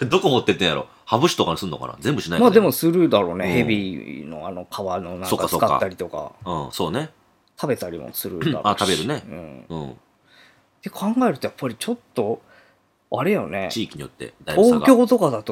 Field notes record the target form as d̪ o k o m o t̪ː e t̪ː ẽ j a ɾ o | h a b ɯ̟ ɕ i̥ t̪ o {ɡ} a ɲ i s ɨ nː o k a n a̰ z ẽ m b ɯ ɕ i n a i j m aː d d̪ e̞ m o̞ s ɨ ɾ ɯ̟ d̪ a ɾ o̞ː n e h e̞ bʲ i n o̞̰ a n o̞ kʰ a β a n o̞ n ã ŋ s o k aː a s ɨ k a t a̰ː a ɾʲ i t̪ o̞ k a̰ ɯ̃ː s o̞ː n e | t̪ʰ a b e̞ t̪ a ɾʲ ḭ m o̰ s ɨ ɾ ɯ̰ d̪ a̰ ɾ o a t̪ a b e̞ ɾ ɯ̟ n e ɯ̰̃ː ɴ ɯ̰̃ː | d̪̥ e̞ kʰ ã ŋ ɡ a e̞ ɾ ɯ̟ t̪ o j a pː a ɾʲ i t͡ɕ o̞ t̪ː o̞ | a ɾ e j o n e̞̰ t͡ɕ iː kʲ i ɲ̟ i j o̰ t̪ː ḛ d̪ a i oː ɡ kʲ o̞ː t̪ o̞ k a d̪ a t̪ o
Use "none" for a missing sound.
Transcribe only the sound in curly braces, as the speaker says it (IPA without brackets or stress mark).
k